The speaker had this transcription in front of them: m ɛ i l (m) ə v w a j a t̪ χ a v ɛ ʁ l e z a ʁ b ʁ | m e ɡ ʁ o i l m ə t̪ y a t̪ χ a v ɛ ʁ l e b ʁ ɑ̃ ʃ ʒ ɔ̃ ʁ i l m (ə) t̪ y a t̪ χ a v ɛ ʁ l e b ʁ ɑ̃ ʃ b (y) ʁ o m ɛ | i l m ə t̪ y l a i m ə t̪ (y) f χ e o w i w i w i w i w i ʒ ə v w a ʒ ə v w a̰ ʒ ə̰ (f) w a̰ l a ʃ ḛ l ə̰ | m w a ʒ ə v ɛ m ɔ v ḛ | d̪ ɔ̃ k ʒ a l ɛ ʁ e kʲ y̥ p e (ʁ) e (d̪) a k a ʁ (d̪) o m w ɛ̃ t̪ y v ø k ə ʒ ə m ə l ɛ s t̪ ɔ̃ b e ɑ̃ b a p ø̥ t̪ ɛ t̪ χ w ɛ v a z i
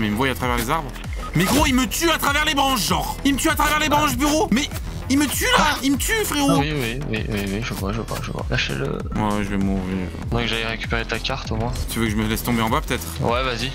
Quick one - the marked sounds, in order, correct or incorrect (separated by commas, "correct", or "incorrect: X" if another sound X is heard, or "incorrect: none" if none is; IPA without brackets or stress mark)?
correct, correct, correct, correct, incorrect: v, correct, incorrect: t̪, incorrect: t̪